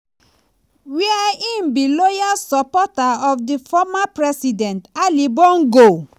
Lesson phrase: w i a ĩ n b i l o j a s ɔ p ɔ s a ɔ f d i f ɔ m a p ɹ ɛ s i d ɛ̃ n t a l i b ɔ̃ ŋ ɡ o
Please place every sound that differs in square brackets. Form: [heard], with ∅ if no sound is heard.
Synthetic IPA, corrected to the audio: w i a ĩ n b i l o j a s ɔ p ɔ [t] a ɔ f d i f ɔ m a p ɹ ɛ s i d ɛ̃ n t a l i b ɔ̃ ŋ ɡ o